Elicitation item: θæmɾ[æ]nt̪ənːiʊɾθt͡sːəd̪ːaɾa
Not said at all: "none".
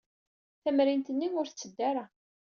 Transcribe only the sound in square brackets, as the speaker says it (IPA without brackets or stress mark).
i